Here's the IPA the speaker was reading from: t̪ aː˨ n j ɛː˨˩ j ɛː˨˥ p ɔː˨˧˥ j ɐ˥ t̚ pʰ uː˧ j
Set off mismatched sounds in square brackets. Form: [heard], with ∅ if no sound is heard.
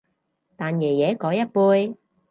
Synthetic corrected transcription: t̪ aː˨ n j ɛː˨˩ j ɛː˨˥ [k] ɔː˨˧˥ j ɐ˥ t̚ [p] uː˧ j